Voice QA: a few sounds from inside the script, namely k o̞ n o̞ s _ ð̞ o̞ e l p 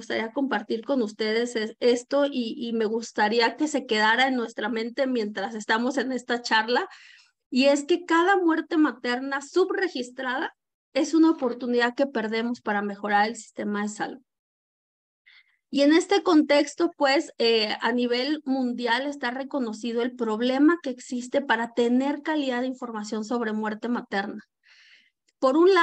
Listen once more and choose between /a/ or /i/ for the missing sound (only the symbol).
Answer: i